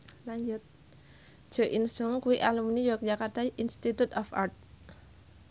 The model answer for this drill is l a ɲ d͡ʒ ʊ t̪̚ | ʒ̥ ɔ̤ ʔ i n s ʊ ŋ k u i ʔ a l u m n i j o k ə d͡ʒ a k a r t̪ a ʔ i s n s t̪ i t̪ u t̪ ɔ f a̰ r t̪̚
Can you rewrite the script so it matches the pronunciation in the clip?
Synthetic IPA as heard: l a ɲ d͡ʒ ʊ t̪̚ | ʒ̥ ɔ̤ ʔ i n s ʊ ŋ k u i ʔ a l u m n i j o k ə d͡ʒ a k a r t̪ a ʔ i n s t̪ i t̪ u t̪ ɔ f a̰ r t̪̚